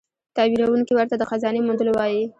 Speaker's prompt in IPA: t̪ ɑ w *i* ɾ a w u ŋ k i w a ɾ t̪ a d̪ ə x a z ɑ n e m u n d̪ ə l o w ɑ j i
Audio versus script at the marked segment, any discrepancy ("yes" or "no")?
no